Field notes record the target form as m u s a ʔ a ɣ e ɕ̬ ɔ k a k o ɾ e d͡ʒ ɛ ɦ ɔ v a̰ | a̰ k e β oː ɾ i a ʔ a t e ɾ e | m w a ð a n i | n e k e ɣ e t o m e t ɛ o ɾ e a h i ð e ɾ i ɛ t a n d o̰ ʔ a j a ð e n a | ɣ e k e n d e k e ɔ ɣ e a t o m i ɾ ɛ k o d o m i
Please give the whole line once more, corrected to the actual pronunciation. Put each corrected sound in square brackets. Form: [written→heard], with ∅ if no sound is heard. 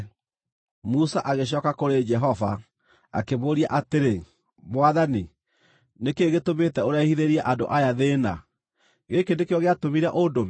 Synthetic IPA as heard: m u s a ʔ a ɣ e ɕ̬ ɔ k a k o ɾ e d͡ʒ ɛ ɦ ɔ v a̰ | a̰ k e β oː ɾ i a ʔ a t e ɾ e | m w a ð a n i | n e k e ɣ e t o m e t ɛ o ɾ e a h i ð e ɾ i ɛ [t→ʔ] a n d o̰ ʔ a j a ð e n a | ɣ e k e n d e k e ɔ ɣ e a t o m i ɾ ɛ [k→ʔ] o d o m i